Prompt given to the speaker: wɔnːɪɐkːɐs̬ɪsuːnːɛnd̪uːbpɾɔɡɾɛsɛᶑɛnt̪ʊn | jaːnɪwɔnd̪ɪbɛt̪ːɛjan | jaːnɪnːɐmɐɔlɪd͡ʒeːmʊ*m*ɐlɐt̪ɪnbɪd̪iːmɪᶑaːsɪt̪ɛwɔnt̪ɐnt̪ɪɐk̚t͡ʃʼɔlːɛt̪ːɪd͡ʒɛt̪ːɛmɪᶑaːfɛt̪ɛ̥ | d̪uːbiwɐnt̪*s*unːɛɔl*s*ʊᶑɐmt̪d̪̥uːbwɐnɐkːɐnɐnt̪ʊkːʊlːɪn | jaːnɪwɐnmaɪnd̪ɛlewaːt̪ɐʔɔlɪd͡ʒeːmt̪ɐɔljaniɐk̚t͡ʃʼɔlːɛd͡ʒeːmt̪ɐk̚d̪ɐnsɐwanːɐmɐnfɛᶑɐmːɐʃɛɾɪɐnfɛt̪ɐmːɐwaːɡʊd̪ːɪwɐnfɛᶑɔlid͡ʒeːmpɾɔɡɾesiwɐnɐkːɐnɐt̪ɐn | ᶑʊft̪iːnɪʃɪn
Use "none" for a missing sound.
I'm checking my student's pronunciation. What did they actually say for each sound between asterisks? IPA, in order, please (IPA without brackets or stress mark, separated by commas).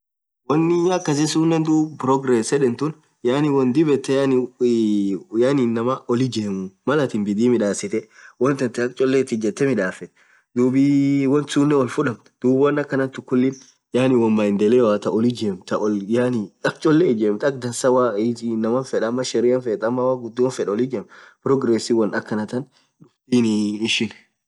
m, s, f